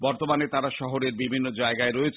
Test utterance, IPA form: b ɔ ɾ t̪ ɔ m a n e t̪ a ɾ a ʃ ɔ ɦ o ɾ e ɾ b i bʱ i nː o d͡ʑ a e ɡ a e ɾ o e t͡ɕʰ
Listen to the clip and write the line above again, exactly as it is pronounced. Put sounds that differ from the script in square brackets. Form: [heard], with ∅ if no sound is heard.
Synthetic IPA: b ɔ ɾ t̪ [o] m a n e t̪ a ɾ a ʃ ɔ ɦ o ɾ e ɾ b i bʱ i nː o d͡ʑ a e ɡ a e ɾ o e t͡ɕʰ

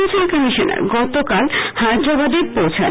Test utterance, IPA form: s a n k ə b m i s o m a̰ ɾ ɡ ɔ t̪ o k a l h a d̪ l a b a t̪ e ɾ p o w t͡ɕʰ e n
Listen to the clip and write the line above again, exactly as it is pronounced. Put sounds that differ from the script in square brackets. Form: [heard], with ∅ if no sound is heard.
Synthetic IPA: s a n k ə [∅] m i [ʃ] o [n] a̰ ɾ ɡ ɔ t̪ o k a l h a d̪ [ɾ] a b a [d̪] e ɾ p o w t͡ɕʰ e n

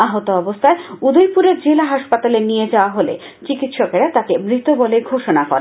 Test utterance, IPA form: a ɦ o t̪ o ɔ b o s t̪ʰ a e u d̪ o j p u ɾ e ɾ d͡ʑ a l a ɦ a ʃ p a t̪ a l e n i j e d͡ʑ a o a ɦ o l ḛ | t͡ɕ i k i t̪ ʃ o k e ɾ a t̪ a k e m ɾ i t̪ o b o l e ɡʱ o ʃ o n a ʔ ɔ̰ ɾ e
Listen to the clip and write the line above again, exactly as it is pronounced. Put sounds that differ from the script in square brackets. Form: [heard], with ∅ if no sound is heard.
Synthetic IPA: a ɦ o t̪ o ɔ b o s t̪ʰ a e u d̪ o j p u ɾ e ɾ d͡ʑ [e] l a ɦ a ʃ p a t̪ a l e n i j e d͡ʑ a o a ɦ o l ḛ | t͡ɕ i k i t̪ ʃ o k e ɾ a t̪ a k e m ɾ i t̪ o b o l e ɡʱ o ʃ o n a [k] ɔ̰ ɾ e

